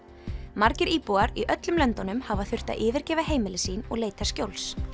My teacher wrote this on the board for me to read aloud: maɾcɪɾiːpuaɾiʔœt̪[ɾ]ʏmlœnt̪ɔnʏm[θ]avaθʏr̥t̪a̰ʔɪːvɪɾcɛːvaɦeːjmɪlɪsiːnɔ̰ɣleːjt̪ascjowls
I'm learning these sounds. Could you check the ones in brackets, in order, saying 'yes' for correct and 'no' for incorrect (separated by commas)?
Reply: no, no